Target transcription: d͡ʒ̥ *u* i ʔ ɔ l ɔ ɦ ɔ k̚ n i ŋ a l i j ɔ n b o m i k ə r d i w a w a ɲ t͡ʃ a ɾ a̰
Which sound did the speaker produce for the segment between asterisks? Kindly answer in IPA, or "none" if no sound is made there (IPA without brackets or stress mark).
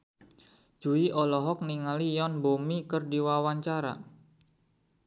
u